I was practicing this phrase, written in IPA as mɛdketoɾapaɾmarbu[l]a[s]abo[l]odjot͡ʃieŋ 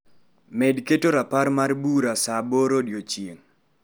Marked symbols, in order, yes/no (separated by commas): no, yes, no